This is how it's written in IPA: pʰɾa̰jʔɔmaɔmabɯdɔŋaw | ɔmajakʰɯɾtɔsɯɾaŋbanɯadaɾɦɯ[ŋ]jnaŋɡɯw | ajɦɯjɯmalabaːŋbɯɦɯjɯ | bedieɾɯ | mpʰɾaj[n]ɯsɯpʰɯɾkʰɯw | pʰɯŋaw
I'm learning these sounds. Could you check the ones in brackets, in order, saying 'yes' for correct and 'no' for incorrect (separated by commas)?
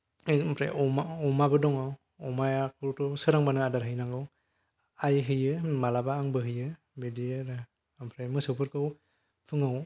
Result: no, no